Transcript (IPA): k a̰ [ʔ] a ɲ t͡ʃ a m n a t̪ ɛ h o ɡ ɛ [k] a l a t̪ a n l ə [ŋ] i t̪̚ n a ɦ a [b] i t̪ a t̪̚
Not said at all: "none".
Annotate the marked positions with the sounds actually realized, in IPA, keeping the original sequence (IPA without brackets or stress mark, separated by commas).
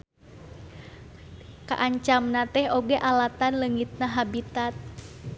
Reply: ʔ, ʔ, ŋ, b